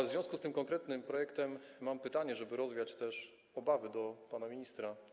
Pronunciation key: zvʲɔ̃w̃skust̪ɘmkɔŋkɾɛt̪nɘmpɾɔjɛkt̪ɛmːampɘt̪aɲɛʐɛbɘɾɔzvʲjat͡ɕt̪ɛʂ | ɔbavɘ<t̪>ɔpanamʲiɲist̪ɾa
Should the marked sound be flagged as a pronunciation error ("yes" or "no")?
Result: yes